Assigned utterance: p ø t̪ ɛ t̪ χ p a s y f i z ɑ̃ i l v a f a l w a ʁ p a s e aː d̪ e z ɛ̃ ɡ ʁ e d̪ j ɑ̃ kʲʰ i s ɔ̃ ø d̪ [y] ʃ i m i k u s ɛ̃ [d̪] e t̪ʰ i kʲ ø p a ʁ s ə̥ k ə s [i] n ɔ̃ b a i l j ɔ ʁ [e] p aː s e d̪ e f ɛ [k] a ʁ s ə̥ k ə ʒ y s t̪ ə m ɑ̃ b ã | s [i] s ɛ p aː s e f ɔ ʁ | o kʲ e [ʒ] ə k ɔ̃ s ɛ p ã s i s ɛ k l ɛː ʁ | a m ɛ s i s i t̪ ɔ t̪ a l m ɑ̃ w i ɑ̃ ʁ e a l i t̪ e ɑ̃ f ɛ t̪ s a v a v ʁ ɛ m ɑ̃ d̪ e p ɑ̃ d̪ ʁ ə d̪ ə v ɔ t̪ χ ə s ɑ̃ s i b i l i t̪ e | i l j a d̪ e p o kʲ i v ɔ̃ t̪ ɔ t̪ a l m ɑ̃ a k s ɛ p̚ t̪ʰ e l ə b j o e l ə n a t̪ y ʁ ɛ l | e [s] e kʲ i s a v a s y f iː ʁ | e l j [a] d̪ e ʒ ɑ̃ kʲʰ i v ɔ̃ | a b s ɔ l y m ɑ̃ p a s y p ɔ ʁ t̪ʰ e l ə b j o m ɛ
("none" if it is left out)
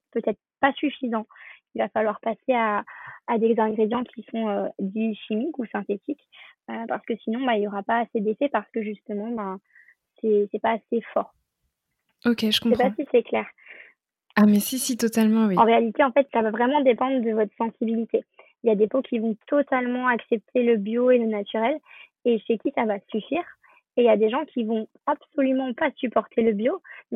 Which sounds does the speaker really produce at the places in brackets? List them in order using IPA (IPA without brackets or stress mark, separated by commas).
i, t̪, i, a, p, ɛ, ʒ, ʃ, a